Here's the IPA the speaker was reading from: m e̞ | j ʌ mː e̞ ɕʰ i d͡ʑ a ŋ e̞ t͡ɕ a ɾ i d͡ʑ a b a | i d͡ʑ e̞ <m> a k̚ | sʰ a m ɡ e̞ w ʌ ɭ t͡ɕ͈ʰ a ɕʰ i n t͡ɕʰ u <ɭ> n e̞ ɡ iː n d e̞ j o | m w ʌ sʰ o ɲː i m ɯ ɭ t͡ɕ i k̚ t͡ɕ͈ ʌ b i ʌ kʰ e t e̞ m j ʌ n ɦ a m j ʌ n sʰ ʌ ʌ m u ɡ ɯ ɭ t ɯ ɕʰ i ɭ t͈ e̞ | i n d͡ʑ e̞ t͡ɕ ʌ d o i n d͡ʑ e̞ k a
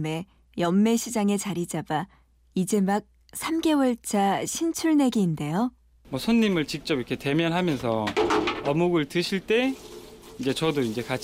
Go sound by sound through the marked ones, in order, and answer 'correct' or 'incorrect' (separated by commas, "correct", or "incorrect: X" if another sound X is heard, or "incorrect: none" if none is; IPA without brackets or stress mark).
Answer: correct, correct